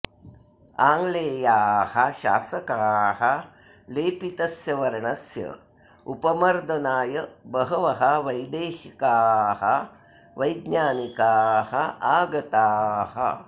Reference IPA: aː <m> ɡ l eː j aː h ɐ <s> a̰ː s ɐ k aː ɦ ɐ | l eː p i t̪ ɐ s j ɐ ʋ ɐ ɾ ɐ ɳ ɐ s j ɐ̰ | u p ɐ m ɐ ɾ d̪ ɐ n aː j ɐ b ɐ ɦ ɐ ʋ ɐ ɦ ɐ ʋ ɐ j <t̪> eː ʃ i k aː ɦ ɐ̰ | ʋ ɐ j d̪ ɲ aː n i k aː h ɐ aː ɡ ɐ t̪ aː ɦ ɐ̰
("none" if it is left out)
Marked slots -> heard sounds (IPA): ŋ, ʃ, d̪

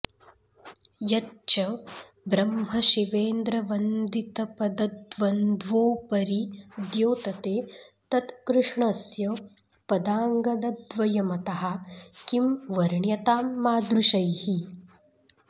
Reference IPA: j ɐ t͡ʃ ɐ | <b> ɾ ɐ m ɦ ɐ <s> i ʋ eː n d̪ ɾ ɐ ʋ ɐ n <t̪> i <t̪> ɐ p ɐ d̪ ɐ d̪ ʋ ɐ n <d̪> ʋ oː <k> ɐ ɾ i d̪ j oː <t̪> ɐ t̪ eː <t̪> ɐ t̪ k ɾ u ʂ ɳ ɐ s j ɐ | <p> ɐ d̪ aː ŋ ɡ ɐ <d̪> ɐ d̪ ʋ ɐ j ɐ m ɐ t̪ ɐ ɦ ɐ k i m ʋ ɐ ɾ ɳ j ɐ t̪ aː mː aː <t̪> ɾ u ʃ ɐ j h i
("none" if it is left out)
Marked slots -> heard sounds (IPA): b, ʃ, d̪, t̪, d̪, p, t̪, t̪, p, d̪, d̪

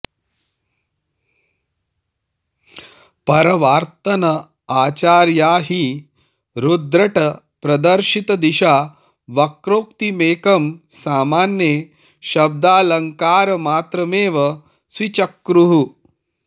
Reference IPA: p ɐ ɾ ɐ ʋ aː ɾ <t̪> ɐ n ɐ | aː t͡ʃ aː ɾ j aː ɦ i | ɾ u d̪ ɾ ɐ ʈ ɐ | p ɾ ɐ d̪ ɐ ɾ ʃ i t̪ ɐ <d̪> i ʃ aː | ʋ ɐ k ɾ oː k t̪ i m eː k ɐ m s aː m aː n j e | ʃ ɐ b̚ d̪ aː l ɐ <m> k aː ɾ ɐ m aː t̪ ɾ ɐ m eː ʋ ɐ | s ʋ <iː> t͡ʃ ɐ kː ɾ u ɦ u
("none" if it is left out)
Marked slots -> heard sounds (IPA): t̪, d̪, ŋ, i

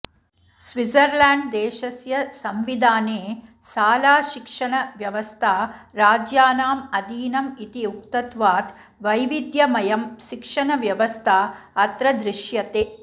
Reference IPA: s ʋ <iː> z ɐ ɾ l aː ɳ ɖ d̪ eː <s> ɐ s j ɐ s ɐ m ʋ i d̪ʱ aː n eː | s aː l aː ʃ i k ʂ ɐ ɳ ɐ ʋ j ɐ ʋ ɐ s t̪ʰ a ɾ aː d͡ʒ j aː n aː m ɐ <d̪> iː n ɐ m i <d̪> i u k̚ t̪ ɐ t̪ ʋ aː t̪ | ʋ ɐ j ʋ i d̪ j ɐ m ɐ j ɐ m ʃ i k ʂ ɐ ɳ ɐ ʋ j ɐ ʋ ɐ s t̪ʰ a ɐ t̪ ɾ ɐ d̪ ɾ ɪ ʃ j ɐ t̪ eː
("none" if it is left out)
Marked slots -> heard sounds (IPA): i, ʃ, d̪, t̪

